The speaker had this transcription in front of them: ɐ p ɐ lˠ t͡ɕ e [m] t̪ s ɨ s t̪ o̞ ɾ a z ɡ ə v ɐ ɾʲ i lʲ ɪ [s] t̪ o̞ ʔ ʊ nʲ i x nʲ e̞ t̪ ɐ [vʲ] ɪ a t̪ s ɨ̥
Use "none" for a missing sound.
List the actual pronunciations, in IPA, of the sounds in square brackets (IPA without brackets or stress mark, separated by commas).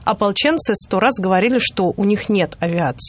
n, ʂ, vʲ